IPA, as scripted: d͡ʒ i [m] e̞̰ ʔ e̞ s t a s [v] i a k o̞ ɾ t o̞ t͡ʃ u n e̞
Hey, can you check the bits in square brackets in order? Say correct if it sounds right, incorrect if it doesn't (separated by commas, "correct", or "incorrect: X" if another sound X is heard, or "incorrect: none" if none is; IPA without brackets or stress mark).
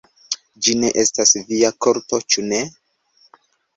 incorrect: n, correct